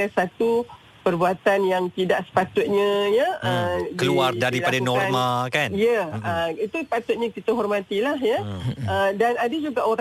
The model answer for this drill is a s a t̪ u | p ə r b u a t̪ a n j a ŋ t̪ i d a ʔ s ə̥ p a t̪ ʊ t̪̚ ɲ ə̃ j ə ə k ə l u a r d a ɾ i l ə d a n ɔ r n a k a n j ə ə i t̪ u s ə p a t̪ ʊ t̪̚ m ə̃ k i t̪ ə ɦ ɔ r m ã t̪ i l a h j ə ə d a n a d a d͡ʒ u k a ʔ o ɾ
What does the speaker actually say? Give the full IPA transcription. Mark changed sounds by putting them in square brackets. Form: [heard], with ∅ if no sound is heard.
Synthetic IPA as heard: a s a t̪ u | p ə r b u a t̪ a n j a ŋ t̪ i d a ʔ s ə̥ p a t̪ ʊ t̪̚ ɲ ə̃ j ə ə k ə l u a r d a ɾ i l [a] d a n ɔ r [m] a k a n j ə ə i t̪ u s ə p a t̪ ʊ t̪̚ [ɲ] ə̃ k i t̪ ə ɦ ɔ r m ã t̪ i l a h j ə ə d a n a d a d͡ʒ u [ɡ] a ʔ o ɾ